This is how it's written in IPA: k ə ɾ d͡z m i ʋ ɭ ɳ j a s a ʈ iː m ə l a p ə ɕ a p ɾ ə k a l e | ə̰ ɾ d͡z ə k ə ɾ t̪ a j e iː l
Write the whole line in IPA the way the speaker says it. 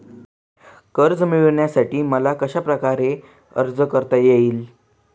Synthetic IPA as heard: k ə ɾ d͡z m i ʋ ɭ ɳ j a s a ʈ iː m ə l a k ə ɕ a p ɾ ə k a ɾ e | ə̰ ɾ d͡z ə k ə ɾ t̪ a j e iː l